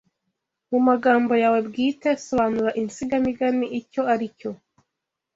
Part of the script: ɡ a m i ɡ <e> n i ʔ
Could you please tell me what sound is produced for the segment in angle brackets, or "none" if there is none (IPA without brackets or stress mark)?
a